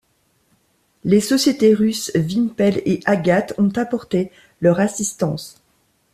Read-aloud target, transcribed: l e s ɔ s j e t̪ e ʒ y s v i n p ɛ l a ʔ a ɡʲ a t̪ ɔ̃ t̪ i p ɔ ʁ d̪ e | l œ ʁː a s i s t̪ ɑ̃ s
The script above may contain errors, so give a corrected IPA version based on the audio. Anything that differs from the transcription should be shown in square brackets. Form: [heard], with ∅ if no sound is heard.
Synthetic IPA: l e s ɔ s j e t̪ e [ʁ] y s v i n p ɛ l [e] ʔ a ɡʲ a t̪ ɔ̃ t̪ [a] p ɔ ʁ [t̪] e | l œ [ʁ] a s i s t̪ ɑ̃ s